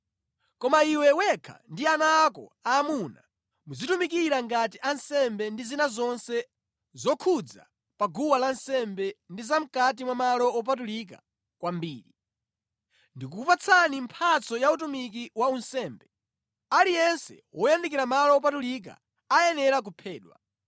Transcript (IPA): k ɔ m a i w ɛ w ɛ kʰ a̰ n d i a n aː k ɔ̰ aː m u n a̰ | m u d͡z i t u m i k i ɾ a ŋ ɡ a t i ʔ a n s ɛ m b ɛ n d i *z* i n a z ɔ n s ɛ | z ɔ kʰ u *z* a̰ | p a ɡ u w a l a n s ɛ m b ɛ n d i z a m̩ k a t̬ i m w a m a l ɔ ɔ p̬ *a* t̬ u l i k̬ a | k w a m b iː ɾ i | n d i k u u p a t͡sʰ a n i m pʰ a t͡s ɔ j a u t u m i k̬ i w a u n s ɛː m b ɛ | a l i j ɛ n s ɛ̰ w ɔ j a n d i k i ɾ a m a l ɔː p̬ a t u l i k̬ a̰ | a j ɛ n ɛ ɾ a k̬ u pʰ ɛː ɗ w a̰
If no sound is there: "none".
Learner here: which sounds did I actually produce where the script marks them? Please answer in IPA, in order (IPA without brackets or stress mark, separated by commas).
z, d͡z, a